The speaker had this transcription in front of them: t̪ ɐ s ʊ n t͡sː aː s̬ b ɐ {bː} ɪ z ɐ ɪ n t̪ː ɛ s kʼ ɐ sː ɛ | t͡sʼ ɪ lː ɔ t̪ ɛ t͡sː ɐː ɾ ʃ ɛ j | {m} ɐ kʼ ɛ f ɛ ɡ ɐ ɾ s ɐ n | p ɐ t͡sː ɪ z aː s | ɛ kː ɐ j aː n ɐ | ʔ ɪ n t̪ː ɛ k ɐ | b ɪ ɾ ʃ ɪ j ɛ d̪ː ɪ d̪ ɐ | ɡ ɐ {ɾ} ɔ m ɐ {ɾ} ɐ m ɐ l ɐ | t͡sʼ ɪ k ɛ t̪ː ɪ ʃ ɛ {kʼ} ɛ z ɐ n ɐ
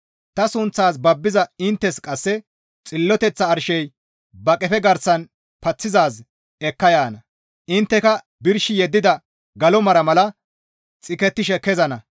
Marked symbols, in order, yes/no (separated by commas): yes, no, no, yes, no